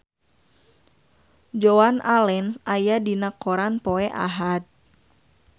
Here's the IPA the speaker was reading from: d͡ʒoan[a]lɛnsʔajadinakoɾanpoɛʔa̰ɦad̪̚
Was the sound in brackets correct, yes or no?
yes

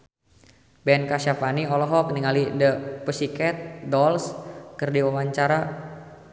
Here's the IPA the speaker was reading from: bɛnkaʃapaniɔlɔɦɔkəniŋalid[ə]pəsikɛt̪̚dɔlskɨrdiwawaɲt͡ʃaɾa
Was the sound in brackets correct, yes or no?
yes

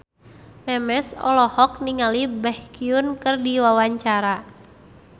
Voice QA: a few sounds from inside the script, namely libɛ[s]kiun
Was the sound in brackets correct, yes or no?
no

